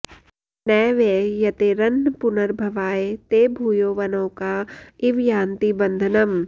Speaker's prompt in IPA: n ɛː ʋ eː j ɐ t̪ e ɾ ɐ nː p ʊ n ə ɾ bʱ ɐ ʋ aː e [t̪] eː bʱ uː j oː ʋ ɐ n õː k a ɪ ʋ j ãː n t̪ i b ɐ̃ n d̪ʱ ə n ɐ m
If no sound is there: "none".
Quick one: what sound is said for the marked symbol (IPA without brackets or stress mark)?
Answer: t̪